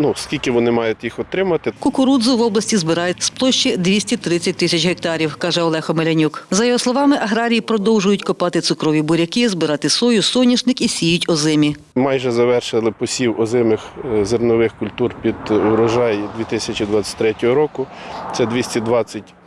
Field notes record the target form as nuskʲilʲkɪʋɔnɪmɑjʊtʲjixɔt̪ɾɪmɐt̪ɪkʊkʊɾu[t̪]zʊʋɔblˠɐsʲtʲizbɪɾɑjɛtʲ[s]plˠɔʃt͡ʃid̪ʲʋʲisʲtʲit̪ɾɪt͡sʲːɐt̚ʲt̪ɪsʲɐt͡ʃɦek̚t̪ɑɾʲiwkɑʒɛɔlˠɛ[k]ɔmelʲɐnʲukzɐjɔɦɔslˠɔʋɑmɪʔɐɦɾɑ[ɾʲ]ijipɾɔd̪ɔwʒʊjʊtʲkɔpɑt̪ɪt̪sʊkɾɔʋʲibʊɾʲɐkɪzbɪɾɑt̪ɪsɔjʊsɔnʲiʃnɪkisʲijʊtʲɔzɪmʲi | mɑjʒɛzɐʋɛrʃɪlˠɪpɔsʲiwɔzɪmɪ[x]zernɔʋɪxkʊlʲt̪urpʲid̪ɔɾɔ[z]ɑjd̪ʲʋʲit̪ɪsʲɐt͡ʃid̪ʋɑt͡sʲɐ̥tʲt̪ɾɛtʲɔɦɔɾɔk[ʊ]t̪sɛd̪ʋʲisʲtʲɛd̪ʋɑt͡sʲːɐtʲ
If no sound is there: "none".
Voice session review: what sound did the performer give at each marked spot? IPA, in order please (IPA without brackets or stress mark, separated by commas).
d̪, s, x, ɾʲ, x, ʒ, ʊ